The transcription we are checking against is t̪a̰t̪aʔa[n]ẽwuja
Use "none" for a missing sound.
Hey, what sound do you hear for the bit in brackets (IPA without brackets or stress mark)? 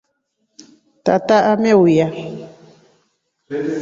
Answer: m